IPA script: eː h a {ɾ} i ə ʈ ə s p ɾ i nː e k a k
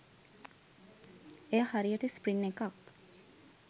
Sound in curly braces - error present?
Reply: no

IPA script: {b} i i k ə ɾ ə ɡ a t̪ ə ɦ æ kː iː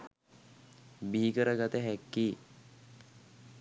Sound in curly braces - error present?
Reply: no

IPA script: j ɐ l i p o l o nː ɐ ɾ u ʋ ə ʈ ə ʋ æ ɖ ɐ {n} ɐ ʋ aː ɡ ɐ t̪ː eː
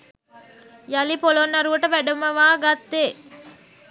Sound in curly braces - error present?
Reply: yes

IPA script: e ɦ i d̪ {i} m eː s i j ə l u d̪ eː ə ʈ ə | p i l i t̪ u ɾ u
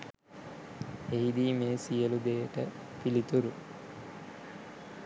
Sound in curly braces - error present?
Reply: yes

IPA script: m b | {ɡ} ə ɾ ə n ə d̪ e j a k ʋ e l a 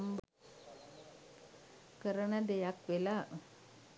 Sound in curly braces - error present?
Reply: yes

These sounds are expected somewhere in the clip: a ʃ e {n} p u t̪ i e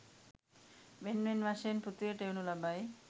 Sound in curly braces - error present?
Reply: no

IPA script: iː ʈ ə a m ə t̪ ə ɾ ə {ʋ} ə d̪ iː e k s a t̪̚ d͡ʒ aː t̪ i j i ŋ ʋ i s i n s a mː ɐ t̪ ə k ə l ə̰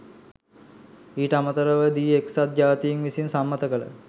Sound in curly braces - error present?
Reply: no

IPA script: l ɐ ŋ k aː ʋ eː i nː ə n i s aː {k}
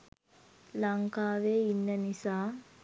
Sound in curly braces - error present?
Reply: yes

